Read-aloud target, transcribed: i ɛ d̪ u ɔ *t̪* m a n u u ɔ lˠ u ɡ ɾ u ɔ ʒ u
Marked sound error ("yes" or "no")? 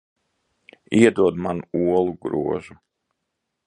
yes